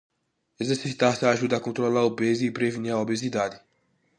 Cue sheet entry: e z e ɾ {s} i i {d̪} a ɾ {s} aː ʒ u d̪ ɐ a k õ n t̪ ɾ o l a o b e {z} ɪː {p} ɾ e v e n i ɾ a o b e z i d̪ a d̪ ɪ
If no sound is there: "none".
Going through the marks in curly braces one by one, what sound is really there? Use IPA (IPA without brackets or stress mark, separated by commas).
s, t̪, s, z, p